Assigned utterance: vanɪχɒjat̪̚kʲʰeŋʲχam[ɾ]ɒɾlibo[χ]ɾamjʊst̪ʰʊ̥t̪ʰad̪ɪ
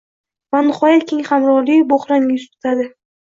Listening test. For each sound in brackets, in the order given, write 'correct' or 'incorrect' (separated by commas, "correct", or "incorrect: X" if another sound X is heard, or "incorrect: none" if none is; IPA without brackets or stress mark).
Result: correct, correct